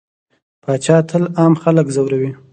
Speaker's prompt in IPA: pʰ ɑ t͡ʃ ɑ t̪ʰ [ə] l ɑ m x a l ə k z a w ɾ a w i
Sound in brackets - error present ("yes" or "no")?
no